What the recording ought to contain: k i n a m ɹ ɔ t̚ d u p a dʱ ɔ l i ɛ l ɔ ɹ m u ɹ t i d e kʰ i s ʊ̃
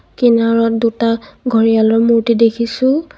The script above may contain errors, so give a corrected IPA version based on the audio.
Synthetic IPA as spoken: k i n a ɹ ɔ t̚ d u t a ɡʱ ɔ ɹ i a l ɔ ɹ m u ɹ t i d e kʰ i s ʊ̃

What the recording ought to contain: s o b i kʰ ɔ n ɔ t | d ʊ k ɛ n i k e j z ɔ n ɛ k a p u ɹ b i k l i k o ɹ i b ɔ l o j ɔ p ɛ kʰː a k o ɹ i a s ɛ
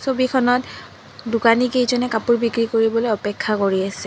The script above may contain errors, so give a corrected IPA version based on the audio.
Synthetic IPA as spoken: s o b i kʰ ɔ n ɔ t | d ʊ k a n i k e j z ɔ n ɛ k a p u ɹ b i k ɹ i k o ɹ i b ɔ l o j ɔ p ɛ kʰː a k o ɹ i a s ɛ

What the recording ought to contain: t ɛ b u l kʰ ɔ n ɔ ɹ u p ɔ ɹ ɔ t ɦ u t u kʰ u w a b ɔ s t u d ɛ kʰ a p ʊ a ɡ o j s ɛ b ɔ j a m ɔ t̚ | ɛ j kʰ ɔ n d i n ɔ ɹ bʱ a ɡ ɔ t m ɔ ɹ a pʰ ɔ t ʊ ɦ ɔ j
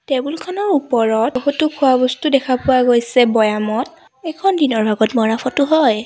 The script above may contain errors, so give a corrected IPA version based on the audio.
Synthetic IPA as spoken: t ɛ b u l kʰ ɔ n ɔ ɹ u p ɔ ɹ ɔ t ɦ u t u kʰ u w a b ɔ s t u d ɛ kʰ a p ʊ a ɡ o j s ɛ b ɔ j a m ɔ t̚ | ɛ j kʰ ɔ n d i n ɔ ɹ bʱ a ɡ ɔ t m ɔ ɹ a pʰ ɔ t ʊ ɦ ɔ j

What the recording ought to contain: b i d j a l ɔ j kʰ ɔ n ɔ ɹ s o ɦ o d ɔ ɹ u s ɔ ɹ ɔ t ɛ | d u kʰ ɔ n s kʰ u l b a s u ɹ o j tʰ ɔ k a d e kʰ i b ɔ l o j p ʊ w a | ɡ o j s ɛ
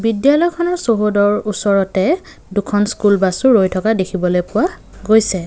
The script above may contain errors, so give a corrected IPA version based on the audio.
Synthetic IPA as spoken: b i d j a l ɔ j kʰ ɔ n ɔ ɹ s o ɦ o d ɔ ɹ u s ɔ ɹ ɔ t ɛ | d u kʰ ɔ n s k u l b a s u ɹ o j tʰ ɔ k a d e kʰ i b ɔ l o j p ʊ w a | ɡ o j s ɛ

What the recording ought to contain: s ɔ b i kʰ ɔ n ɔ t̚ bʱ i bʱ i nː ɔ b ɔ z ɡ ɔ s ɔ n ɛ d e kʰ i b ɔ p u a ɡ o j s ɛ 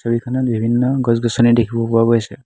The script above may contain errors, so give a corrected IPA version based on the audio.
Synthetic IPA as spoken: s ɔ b i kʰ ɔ n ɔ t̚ bʱ i bʱ i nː ɔ ɡ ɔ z ɡ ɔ s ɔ n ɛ d e kʰ i b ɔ p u a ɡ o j s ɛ

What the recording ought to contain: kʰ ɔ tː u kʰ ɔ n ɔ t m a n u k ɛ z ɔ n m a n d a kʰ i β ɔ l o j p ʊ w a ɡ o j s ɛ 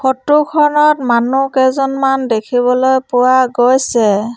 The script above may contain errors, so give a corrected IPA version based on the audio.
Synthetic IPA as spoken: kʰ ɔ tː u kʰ ɔ n ɔ t m a n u k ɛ z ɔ n m a n d e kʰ i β ɔ l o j p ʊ w a ɡ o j s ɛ

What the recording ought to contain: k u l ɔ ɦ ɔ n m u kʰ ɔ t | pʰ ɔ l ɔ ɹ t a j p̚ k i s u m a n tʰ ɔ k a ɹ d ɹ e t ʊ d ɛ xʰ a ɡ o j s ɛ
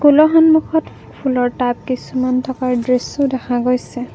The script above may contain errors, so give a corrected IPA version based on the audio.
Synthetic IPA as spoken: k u l ɔ ɦ ɔ n m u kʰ ɔ t | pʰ u l ɔ ɹ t a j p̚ k i s u m a n tʰ ɔ k a ɹ d ɹ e s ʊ d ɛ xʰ a ɡ o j s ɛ

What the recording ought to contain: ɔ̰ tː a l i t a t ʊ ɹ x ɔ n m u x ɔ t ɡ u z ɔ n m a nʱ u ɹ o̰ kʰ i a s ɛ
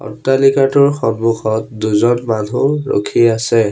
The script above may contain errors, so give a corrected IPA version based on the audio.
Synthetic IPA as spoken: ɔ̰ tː a l i k a t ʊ ɹ x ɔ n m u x ɔ t d u z ɔ n m a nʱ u ɹ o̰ kʰ i a s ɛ

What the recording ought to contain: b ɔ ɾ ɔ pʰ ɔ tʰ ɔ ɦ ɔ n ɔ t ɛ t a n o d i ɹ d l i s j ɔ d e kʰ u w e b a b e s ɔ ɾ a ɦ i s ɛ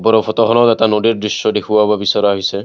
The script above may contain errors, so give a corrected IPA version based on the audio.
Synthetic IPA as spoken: b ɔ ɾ ɔ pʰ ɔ t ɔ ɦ ɔ n ɔ t ɛ t a n o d i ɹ d ɹ i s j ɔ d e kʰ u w a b a b i s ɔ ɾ a ɦ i s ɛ

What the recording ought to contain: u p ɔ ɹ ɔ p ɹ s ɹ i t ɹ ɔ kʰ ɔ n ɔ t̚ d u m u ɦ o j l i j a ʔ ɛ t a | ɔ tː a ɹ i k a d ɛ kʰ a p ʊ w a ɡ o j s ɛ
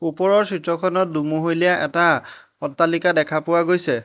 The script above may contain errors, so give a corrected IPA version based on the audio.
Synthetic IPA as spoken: u p ɔ ɹ ɔ ɹ s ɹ i t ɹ ɔ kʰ ɔ n ɔ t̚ d u m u ɦ o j l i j a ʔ ɛ t a | ɔ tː a l i k a d ɛ kʰ a p ʊ w a ɡ o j s ɛ

